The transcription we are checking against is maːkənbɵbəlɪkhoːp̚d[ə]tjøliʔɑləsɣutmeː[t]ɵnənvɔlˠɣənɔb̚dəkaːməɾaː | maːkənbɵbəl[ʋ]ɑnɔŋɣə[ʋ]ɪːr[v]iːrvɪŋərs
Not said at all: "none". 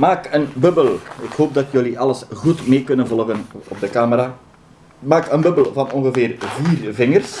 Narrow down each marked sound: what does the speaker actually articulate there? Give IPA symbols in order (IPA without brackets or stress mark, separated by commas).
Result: ɑ, k, v, v, v